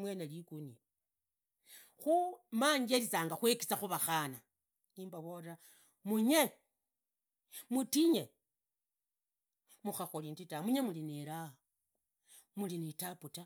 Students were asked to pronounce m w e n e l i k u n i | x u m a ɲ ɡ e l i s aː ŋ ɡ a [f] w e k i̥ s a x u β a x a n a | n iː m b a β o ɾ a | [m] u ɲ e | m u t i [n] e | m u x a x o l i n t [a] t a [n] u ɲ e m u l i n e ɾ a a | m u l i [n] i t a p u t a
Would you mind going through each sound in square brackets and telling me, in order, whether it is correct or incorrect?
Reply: incorrect, correct, incorrect, incorrect, incorrect, correct

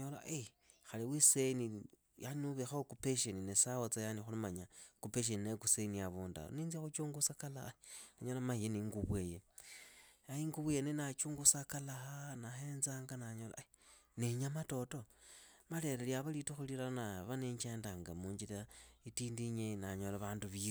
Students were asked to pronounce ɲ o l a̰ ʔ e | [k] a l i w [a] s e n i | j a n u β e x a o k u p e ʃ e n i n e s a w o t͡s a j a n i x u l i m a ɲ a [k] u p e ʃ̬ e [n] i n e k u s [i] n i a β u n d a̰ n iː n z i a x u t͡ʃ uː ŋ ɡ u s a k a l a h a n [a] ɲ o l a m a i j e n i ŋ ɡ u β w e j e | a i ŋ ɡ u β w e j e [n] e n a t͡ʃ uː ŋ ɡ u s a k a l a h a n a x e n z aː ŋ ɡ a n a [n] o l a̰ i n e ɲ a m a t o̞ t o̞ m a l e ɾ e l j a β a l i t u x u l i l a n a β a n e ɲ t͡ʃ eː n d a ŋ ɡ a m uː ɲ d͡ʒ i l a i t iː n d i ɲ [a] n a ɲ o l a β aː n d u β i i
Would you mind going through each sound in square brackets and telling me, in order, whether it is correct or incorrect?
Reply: incorrect, incorrect, correct, correct, incorrect, correct, correct, incorrect, incorrect

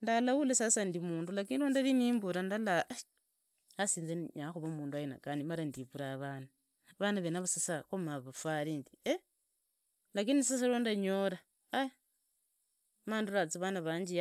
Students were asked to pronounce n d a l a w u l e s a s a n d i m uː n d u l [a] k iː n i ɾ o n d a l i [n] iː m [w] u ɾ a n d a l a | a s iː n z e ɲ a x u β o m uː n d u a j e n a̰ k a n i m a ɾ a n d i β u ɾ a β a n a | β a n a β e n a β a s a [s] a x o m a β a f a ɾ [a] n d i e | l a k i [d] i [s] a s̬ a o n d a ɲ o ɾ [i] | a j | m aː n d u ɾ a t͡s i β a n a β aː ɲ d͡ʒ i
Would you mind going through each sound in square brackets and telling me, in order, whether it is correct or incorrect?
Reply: correct, correct, incorrect, correct, incorrect, incorrect, correct, incorrect

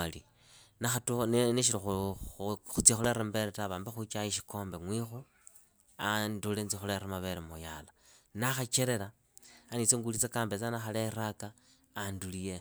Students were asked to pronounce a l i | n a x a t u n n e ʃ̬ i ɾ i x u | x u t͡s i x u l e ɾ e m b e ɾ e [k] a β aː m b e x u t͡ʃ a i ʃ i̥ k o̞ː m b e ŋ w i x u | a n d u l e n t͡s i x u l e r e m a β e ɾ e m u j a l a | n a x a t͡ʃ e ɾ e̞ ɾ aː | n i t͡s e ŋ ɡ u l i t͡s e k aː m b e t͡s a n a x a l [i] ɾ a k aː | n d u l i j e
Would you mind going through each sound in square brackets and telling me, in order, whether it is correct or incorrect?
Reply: incorrect, incorrect

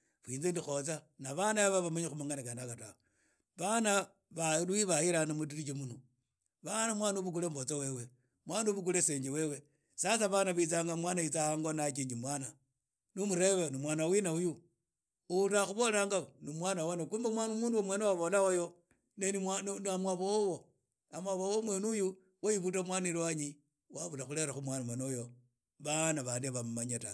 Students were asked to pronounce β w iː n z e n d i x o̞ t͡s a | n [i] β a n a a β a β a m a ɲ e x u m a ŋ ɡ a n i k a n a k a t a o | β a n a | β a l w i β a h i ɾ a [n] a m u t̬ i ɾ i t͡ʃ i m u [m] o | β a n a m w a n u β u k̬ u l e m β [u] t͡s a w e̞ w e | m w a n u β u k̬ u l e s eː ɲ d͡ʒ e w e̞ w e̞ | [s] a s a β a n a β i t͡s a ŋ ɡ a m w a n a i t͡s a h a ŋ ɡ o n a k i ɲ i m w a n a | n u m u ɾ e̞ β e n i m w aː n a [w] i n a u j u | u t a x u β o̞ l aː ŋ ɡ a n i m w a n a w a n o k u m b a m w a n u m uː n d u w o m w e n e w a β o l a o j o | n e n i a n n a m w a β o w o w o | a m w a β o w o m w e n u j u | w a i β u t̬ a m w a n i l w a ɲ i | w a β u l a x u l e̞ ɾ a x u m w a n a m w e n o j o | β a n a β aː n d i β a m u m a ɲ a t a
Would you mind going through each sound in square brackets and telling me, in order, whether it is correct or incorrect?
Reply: incorrect, correct, incorrect, incorrect, correct, correct

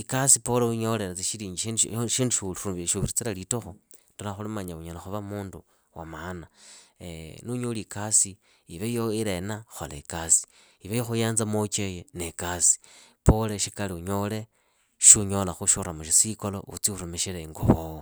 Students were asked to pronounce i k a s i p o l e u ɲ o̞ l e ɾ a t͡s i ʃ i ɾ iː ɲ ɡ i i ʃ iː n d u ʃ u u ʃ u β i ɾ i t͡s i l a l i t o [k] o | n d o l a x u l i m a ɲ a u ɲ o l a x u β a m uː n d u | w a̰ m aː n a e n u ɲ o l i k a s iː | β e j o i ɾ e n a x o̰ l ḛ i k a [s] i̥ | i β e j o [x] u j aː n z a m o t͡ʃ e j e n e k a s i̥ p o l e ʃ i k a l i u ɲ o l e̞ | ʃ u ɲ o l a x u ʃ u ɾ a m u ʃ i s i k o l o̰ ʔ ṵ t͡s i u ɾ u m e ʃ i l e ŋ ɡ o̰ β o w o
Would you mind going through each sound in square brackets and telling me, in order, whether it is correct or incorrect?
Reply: incorrect, correct, correct

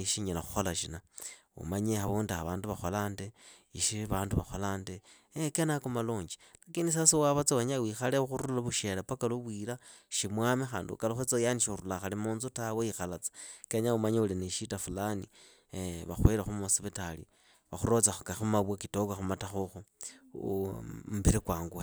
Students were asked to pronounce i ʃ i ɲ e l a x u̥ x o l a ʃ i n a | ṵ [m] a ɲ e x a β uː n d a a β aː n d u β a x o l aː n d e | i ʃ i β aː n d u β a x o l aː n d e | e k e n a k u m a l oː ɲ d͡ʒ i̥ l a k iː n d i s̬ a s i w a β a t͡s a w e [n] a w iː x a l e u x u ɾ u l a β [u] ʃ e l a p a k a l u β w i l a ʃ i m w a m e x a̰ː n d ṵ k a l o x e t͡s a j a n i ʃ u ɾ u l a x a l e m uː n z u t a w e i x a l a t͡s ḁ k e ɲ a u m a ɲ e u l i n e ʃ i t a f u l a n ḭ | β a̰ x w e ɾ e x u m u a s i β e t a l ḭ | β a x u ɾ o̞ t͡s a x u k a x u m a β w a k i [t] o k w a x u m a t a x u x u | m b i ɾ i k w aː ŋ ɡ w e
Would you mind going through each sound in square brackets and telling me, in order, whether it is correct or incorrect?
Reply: correct, incorrect, correct, correct

